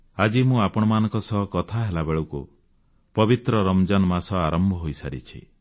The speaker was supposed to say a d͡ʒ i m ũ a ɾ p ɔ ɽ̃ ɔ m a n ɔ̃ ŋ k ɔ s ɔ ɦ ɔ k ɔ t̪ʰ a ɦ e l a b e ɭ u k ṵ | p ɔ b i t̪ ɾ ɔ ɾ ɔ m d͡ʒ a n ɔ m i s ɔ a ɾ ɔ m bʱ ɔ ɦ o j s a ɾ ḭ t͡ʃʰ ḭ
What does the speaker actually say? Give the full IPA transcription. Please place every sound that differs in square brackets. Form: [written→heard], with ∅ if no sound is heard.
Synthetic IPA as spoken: a d͡ʒ i m ũ a [ɾ→∅] p ɔ ɽ̃ ɔ m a n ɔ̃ ŋ k ɔ s ɔ ɦ ɔ k ɔ t̪ʰ a ɦ e l a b e ɭ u k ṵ | p ɔ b i t̪ ɾ ɔ ɾ ɔ m d͡ʒ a n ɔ m [i→a] s ɔ a ɾ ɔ m bʱ ɔ ɦ o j s a ɾ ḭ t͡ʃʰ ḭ